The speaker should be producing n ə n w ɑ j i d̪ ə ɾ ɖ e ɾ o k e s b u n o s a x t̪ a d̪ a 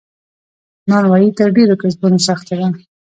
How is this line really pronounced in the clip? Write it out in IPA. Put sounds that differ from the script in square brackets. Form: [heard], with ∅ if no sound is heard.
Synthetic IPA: n [ɑ] n w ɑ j i [t̪] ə ɾ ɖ e ɾ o k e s b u n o s a x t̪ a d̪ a